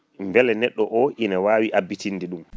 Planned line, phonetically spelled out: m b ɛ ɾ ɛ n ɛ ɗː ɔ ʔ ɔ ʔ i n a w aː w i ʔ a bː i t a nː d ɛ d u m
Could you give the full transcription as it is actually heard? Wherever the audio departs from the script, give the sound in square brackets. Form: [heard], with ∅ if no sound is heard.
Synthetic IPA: m b ɛ [l] ɛ n ɛ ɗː ɔ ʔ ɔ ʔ i n a w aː w i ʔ a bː i t [i] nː d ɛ [ɗ] u m